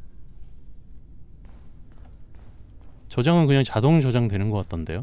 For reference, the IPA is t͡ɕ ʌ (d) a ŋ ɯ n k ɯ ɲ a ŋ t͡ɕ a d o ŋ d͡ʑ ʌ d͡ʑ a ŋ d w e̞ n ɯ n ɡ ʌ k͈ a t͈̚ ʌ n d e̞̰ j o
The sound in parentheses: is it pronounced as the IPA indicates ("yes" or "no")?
no